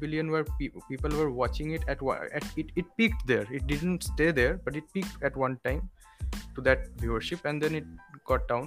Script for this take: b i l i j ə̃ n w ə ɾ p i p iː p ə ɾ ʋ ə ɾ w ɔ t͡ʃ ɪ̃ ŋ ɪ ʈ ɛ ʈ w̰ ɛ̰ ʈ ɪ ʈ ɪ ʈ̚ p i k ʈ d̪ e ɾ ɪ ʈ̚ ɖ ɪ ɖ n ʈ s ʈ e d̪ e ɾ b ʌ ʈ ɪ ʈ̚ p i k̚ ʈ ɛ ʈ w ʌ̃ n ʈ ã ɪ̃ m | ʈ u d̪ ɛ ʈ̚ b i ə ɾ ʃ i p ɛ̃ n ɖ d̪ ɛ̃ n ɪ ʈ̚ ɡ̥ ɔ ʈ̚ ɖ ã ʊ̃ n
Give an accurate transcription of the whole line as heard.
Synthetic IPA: b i l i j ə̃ n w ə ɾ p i p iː p ə l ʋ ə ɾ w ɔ t͡ʃ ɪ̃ ŋ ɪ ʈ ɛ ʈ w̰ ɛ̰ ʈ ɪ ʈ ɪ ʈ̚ p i k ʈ d̪ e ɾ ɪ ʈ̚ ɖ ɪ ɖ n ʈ s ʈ e d̪ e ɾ b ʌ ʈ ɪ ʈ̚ p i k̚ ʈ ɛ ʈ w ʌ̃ n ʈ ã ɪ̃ m | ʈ u d̪ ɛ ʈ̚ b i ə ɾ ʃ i p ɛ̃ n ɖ d̪ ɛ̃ n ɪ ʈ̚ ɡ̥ ɔ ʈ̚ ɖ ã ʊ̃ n